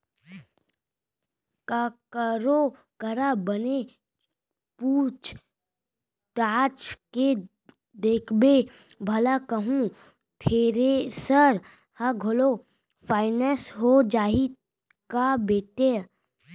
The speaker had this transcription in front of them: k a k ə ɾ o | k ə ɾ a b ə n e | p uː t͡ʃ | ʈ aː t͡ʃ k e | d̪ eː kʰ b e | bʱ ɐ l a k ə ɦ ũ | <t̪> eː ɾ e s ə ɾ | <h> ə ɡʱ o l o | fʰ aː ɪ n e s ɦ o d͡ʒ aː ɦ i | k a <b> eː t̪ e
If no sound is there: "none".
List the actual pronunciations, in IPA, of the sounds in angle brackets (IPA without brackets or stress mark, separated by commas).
t̪ʰ, h, b